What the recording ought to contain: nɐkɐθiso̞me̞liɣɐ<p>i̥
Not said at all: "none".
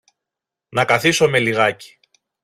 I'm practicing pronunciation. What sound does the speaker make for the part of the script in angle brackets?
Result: c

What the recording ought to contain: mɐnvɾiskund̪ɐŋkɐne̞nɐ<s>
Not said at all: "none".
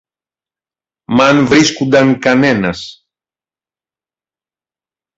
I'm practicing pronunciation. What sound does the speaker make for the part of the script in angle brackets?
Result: s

